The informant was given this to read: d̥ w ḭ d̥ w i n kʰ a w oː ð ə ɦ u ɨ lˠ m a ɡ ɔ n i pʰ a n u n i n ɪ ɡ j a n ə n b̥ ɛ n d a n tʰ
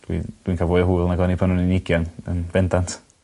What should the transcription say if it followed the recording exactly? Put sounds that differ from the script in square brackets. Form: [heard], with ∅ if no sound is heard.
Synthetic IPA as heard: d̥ w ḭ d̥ w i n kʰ a [v] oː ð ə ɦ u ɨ lˠ [n] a ɡ ɔ n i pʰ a n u n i n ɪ ɡ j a n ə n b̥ ɛ n d a n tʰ